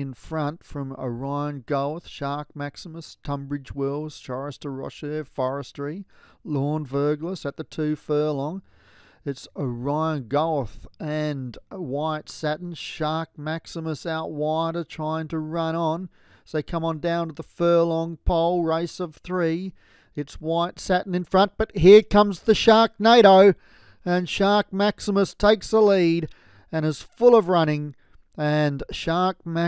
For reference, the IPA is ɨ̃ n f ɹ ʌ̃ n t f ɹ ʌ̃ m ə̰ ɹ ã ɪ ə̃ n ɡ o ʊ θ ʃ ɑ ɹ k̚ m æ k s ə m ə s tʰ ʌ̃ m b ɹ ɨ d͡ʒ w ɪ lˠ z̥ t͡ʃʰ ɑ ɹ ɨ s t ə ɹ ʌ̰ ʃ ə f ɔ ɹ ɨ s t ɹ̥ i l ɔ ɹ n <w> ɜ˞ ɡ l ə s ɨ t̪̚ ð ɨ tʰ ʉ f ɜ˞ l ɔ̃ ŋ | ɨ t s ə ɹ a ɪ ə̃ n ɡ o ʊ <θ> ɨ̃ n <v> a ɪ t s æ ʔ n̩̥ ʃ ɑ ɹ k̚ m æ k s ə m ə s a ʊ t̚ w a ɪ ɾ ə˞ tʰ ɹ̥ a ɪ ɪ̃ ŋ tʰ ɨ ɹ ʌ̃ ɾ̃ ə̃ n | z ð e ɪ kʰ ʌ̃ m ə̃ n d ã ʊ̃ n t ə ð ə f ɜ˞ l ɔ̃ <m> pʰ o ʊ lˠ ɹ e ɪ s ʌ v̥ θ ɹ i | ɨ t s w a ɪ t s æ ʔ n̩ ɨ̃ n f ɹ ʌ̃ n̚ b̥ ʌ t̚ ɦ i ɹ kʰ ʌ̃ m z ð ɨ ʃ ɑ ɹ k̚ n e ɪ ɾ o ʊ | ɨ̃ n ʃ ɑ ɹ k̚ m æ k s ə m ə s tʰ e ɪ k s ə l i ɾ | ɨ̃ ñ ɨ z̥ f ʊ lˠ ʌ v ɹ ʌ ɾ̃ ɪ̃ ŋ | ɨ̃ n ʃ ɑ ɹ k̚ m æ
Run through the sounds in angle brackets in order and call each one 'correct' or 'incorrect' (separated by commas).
incorrect, correct, incorrect, incorrect